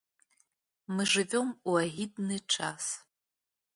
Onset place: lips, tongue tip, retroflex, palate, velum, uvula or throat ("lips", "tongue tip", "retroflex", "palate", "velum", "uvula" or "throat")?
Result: lips